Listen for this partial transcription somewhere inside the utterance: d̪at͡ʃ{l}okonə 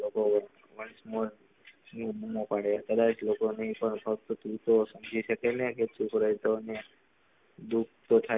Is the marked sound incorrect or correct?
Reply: correct